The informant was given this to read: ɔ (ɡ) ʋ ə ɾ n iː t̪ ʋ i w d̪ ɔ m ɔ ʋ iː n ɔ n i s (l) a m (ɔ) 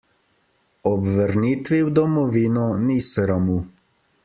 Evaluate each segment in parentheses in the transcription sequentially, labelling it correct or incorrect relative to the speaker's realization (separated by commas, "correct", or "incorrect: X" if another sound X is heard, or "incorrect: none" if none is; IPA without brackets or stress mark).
incorrect: b, incorrect: ɾ, incorrect: u